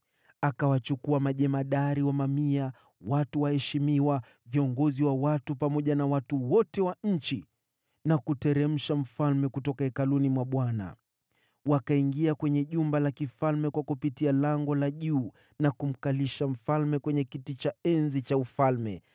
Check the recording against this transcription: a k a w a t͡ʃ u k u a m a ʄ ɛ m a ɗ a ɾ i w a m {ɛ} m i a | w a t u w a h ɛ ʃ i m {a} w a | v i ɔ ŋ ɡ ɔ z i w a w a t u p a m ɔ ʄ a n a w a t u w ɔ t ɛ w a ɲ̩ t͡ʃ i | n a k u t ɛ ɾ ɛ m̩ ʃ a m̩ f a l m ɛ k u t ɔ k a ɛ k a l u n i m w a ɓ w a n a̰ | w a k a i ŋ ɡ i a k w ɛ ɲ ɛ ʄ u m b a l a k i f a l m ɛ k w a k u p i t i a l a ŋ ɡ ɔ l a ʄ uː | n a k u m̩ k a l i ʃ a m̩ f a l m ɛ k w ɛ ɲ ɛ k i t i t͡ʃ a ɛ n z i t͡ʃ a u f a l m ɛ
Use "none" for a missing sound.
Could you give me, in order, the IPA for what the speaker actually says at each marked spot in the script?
a, i

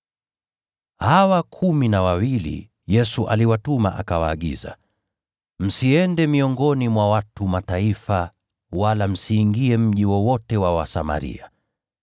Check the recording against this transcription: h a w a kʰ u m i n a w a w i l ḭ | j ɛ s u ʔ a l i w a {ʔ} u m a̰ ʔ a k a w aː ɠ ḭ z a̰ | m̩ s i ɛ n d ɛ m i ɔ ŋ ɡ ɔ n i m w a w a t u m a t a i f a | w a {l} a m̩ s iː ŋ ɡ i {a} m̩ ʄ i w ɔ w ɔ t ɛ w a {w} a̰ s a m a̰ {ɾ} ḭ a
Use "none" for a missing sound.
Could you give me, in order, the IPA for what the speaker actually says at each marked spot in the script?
t, l, ɛ, w, ɾ

